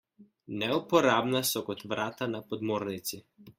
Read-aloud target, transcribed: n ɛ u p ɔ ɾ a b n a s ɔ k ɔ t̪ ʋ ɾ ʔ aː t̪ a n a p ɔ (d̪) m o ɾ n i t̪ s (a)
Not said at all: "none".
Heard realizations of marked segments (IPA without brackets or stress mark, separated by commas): d̪, i